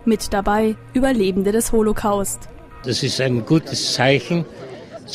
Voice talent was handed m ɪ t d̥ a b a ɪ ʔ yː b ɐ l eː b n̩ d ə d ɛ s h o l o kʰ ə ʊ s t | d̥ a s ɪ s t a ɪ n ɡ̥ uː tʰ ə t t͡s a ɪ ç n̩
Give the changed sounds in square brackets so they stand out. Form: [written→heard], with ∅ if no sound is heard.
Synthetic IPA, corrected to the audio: m ɪ t d̥ a b a ɪ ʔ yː b ɐ l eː b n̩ d ə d ɛ s h o l o kʰ [ə→a] ʊ s t | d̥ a s ɪ s t a ɪ n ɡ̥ uː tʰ ə [t→s] t͡s a ɪ ç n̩